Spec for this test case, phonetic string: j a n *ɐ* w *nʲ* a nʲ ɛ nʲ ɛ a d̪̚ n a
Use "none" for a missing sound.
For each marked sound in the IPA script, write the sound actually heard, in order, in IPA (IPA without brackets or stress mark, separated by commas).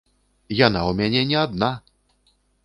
a, mʲ